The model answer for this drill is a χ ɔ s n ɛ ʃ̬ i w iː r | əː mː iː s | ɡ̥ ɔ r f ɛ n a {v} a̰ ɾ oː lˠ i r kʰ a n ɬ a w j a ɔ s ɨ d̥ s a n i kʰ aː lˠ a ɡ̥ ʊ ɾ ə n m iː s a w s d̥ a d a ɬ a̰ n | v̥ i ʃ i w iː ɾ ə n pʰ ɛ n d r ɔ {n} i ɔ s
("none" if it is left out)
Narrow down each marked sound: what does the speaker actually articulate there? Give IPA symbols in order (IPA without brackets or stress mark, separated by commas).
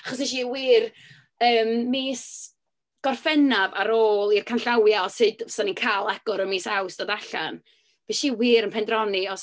v, n